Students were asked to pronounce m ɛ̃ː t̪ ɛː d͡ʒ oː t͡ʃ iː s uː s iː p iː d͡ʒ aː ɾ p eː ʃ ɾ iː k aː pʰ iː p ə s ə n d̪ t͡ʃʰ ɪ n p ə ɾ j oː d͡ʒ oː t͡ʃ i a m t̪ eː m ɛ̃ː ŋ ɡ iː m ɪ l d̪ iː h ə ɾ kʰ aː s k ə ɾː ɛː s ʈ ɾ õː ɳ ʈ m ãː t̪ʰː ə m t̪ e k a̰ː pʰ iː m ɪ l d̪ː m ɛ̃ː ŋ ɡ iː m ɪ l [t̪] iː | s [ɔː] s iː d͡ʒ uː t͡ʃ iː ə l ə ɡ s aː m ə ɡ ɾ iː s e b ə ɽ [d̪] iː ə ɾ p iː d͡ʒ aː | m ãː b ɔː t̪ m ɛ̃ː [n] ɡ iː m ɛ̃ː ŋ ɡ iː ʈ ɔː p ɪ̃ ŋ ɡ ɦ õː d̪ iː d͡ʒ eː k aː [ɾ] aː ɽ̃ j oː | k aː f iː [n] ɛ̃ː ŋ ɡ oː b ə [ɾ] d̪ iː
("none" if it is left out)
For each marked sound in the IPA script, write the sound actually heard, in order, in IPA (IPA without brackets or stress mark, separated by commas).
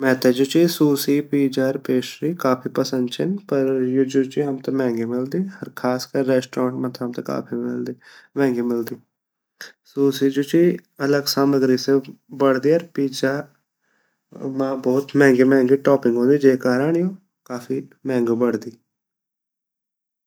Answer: d̪, uː, d̪, ŋ, ɾ, m, ɽ